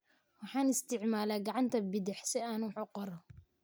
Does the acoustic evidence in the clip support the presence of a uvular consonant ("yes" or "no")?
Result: yes